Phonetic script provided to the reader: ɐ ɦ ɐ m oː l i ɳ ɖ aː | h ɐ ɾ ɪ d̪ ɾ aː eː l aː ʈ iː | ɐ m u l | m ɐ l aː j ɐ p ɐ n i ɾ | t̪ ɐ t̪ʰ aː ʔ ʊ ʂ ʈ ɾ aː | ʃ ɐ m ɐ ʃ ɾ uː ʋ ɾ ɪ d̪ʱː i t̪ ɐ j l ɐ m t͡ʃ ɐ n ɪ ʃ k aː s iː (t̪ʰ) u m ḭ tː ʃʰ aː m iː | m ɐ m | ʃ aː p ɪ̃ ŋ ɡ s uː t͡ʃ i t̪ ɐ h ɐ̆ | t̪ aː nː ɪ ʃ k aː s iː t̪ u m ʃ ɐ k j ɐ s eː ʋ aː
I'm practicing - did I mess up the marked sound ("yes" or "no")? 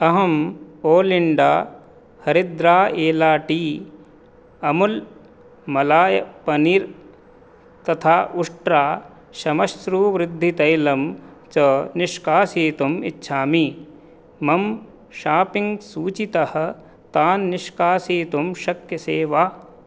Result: yes